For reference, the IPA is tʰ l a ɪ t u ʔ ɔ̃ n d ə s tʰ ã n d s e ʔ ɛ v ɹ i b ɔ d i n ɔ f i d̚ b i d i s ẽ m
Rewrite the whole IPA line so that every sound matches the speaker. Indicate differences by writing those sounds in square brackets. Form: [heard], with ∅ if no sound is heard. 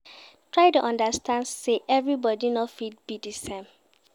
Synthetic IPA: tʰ [ɹ] a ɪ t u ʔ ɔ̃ n d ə s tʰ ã n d s e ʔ ɛ v ɹ i b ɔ d i n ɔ f i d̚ b i d i s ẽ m